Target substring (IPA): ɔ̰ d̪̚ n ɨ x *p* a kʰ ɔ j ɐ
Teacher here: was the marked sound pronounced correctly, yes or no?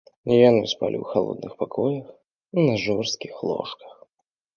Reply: yes